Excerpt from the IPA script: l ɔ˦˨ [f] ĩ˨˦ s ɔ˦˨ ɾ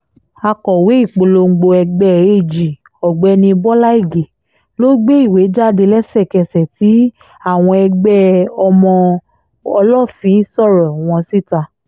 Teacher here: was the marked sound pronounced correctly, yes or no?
yes